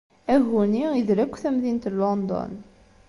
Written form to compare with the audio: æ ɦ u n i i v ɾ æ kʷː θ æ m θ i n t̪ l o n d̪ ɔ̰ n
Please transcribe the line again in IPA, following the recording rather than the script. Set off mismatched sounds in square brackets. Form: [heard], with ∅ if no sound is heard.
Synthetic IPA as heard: æ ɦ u n i i [ð] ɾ æ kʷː θ æ m [ð] i n t̪ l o n d̪ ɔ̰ n